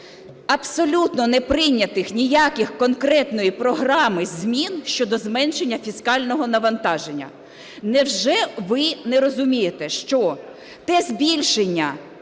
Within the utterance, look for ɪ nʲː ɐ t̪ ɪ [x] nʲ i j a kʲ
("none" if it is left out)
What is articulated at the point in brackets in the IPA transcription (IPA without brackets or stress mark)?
x